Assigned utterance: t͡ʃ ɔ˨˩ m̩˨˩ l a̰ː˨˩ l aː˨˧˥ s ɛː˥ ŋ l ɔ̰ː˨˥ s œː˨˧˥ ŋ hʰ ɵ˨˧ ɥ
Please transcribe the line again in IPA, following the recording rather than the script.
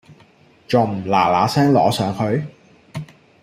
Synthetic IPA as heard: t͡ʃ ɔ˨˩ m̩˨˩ l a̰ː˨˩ l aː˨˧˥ s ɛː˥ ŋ l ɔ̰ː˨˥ s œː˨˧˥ ŋ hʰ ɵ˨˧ ɥ